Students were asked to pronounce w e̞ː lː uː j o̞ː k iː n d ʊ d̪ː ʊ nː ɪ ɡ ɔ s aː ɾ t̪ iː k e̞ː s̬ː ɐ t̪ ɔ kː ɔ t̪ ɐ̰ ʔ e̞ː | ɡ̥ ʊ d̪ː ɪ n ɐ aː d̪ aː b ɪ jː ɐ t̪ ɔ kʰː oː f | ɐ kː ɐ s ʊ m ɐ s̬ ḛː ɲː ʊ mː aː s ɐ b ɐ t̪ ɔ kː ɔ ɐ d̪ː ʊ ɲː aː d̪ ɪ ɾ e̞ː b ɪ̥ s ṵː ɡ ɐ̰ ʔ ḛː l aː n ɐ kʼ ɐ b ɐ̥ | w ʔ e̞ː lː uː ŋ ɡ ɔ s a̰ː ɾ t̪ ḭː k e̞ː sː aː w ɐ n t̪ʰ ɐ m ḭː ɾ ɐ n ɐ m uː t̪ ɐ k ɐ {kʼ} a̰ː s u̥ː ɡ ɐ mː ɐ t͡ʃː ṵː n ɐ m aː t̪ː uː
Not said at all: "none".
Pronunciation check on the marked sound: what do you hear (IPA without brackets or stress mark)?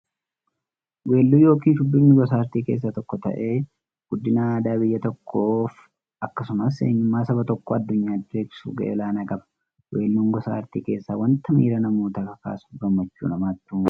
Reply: k